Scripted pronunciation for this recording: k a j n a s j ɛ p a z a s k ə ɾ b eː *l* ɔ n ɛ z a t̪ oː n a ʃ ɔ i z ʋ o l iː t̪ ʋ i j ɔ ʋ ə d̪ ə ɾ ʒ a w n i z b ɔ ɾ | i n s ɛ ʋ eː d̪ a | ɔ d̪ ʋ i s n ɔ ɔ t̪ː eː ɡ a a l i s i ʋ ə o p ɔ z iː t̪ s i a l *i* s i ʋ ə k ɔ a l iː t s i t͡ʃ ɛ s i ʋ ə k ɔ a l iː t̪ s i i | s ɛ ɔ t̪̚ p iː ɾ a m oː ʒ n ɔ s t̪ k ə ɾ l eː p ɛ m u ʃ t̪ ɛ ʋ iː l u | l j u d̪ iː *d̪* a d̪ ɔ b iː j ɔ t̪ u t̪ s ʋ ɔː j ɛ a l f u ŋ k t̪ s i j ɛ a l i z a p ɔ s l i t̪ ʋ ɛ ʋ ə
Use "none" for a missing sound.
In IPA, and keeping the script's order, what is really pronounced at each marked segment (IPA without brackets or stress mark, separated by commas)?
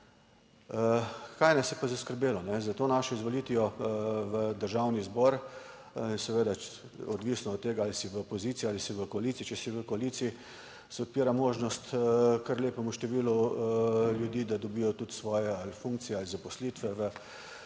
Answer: l, i, d̪